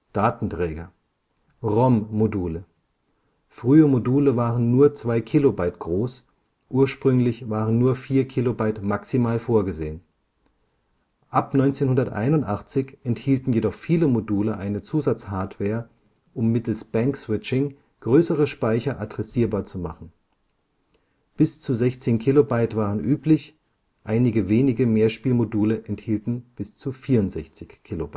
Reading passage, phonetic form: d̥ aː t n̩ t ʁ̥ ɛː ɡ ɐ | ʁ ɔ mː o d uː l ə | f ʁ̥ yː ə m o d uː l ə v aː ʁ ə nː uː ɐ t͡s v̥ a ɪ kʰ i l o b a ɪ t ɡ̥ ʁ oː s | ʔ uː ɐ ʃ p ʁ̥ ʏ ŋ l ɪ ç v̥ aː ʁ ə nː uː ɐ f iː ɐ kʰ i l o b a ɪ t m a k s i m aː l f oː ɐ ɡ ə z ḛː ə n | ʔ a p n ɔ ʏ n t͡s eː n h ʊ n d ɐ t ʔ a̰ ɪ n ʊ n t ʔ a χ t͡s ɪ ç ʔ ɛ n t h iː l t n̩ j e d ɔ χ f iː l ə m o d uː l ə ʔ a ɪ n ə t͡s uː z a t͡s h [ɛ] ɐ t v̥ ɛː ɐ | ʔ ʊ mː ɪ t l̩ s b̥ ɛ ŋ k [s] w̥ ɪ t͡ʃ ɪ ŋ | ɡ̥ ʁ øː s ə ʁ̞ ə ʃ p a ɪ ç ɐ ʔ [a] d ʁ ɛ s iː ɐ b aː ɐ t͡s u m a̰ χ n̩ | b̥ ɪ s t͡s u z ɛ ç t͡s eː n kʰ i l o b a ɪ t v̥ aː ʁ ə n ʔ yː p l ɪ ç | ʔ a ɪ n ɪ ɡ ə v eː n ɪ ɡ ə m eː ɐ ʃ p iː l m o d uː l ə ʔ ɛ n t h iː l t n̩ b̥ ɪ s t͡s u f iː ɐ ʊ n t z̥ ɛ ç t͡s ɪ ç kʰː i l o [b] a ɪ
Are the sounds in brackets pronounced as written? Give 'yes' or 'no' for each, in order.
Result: no, yes, yes, yes

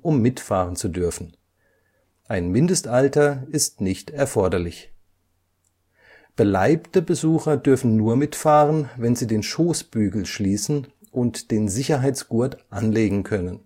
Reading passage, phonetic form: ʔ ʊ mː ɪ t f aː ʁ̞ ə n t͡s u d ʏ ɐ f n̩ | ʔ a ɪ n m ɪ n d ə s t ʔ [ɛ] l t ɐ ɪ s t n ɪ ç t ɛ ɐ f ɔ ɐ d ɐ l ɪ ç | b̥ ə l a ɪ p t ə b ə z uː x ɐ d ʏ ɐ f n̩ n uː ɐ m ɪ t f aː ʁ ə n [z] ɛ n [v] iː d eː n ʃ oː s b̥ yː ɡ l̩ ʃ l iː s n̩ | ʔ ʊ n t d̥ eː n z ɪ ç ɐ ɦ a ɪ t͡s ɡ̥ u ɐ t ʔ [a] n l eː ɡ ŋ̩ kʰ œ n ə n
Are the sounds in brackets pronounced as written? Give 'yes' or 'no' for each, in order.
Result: no, no, no, yes

